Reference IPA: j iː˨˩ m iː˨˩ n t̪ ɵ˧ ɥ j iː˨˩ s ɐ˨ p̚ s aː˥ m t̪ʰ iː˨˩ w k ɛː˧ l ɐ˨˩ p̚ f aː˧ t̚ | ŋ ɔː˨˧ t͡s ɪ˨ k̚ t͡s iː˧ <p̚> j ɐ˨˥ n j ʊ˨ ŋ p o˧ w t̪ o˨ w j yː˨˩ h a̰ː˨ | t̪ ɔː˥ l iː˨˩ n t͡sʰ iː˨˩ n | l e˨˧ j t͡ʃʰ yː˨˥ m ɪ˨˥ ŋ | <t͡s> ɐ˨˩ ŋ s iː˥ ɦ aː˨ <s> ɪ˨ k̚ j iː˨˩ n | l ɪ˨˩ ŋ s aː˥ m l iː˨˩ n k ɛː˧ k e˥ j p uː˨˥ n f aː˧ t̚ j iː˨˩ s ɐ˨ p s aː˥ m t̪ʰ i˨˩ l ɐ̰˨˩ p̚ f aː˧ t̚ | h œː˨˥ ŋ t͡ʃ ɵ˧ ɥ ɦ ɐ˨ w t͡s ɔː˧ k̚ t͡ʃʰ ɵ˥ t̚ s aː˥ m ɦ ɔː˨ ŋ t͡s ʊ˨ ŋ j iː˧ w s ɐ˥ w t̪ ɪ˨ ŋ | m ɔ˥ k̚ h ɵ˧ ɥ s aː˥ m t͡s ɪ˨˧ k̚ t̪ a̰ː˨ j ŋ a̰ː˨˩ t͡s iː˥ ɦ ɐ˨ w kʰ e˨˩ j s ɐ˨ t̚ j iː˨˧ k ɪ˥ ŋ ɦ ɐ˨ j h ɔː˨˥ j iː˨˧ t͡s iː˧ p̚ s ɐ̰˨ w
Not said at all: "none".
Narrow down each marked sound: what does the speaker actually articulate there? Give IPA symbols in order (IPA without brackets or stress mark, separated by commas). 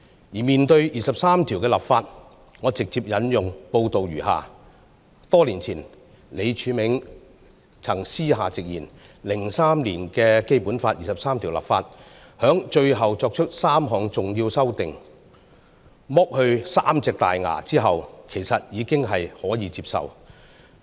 p̚, t͡sʰ, t͡s